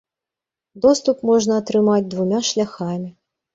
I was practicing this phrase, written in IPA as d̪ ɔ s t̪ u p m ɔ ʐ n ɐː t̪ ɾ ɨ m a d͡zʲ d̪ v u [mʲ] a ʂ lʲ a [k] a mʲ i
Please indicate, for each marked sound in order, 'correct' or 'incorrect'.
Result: correct, incorrect: x

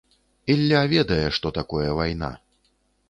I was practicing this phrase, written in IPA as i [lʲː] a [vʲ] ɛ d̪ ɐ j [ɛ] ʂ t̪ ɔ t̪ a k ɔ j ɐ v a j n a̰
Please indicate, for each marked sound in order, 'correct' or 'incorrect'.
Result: correct, correct, correct

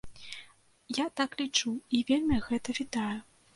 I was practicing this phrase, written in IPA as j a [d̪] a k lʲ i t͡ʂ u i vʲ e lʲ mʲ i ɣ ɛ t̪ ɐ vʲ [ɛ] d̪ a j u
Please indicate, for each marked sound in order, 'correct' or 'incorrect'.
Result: incorrect: t̪, incorrect: i

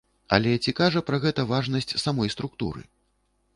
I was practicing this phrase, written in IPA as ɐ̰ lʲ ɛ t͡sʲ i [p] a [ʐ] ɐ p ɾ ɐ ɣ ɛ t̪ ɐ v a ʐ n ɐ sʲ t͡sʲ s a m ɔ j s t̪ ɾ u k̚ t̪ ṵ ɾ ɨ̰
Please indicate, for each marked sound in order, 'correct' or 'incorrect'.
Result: incorrect: k, correct

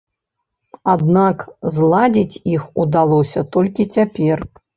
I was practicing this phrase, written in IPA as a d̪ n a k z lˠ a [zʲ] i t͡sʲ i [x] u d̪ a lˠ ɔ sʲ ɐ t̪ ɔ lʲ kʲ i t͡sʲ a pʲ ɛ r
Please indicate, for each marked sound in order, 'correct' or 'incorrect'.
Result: incorrect: d͡zʲ, correct

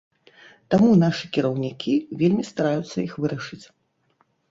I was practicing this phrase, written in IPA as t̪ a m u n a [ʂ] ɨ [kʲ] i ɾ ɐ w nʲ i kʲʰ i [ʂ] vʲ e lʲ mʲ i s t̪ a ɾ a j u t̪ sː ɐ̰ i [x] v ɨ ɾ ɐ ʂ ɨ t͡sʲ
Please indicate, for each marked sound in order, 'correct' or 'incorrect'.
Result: correct, correct, incorrect: none, correct

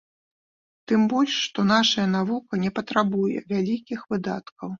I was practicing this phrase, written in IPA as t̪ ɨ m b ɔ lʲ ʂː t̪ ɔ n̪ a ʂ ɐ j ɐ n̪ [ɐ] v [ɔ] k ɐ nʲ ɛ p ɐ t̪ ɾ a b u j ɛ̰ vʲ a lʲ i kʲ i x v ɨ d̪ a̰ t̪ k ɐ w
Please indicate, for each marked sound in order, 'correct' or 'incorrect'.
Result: incorrect: a, incorrect: u

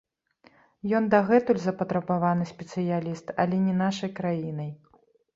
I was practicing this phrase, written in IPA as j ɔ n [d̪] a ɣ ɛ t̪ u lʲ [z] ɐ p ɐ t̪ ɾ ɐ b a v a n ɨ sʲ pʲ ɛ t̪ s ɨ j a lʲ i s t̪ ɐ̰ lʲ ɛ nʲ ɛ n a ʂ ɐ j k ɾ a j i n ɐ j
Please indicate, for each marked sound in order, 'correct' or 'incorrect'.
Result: correct, correct

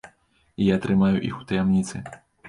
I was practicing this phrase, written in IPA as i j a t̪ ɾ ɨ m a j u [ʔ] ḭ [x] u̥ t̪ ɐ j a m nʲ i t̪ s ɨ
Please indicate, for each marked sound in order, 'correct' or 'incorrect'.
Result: correct, correct

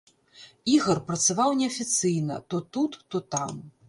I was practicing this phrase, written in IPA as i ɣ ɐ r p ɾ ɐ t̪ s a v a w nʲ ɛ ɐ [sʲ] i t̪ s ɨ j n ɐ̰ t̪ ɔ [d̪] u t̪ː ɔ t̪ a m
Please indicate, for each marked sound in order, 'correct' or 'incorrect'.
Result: incorrect: fʲ, incorrect: t̪

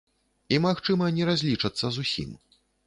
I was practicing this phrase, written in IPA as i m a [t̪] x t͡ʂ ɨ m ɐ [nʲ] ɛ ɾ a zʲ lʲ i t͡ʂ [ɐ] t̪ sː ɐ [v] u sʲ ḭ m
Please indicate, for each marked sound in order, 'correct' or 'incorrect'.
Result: incorrect: none, correct, correct, incorrect: z

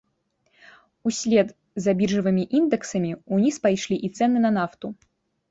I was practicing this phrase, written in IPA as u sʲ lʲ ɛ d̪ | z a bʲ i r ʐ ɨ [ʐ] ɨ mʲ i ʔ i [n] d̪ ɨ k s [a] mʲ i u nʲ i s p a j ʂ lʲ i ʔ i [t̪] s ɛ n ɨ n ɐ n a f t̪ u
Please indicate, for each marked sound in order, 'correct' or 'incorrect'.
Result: incorrect: v, correct, incorrect: ɐ, correct

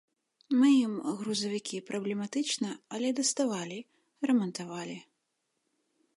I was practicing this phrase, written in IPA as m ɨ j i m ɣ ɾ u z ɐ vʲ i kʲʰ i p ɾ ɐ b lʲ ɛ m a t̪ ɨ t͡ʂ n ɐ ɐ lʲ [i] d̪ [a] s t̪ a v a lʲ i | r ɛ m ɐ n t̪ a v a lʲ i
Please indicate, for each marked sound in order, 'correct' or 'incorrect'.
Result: incorrect: ɛ, incorrect: ɐ

